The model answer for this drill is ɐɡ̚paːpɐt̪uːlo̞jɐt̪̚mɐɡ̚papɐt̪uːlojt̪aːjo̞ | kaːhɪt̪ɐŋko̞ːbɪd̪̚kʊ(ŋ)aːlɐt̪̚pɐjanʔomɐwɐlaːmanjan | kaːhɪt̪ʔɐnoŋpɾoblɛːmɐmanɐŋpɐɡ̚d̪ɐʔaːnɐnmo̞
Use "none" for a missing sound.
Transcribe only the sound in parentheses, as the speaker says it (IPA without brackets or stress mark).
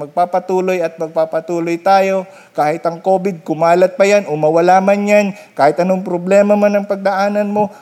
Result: m